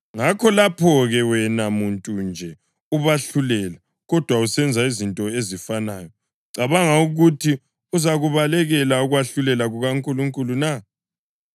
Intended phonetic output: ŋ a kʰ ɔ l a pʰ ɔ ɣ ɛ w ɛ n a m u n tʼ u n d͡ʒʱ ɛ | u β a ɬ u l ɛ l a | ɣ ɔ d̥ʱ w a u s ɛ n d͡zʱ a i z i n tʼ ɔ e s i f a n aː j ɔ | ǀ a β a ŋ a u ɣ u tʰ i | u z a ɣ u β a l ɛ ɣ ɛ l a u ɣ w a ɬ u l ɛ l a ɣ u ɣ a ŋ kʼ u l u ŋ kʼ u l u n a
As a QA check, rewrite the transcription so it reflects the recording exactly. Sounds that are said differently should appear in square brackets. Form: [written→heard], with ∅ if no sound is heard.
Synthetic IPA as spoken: ŋ a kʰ ɔ l a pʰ ɔ ɣ ɛ w ɛ n a m u n tʼ u n d͡ʒʱ ɛ | u β a ɬ u l ɛ l a | ɣ ɔ d̥ʱ w a u s ɛ n d͡zʱ a i z i n tʼ ɔ e [s→z] i f a n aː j ɔ | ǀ a β a ŋ a u ɣ u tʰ i | u z a ɣ u β a l ɛ ɣ ɛ l a u ɣ w a ɬ u l ɛ l a ɣ u ɣ a ŋ kʼ u l u ŋ kʼ u l u n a